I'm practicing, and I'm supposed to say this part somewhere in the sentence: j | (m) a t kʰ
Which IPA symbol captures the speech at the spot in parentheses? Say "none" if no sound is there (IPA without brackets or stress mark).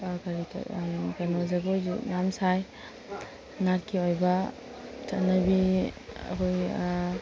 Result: n